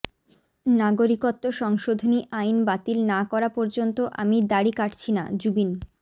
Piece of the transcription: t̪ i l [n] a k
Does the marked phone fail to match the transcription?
no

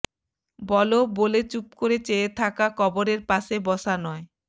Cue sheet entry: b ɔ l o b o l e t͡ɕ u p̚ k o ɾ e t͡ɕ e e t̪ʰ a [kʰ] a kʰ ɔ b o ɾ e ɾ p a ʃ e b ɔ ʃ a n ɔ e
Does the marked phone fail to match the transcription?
yes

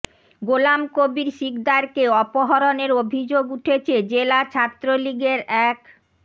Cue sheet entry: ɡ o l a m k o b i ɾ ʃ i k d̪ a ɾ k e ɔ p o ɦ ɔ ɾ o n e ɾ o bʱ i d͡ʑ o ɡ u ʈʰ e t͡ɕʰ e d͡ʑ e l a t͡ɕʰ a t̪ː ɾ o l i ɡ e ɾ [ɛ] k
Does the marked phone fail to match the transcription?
no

